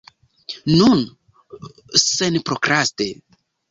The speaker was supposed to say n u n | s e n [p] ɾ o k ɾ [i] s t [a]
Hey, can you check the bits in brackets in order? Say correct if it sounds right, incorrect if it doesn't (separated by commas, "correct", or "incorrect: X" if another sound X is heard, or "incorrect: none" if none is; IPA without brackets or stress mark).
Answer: correct, incorrect: a, incorrect: e